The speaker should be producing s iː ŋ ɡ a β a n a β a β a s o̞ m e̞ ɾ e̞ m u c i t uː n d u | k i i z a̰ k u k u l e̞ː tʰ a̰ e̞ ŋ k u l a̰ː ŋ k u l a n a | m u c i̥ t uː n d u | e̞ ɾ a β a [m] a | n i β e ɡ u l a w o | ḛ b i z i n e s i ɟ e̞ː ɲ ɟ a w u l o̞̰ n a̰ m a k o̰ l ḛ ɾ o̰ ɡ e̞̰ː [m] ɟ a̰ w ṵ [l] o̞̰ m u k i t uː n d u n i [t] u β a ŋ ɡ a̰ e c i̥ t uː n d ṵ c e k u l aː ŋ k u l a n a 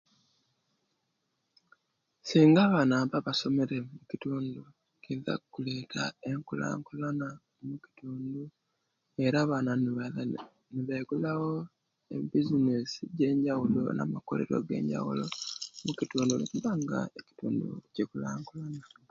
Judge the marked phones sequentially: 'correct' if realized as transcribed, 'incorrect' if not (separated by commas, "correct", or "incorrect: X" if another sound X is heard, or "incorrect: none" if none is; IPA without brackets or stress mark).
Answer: incorrect: n, incorrect: ɲ, correct, incorrect: k